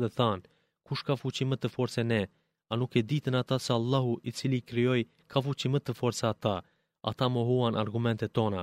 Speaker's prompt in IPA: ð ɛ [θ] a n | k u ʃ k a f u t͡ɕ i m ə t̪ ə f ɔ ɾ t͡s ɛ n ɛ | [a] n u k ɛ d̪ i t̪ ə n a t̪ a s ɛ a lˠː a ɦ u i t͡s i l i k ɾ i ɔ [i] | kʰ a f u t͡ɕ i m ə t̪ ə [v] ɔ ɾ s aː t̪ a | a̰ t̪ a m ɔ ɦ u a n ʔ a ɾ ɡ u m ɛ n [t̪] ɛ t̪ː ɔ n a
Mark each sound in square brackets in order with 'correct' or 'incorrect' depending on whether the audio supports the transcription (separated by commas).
correct, correct, incorrect, incorrect, correct